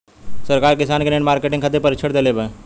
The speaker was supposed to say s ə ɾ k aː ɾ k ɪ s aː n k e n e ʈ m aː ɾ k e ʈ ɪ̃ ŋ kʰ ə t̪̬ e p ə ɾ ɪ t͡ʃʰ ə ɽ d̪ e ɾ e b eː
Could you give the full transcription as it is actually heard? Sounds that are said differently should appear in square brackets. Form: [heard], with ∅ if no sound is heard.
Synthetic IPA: s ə ɾ k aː ɾ k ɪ s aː n k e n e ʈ m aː ɾ k e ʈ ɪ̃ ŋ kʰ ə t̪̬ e p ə ɾ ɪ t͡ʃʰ ə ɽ d̪ e [l] e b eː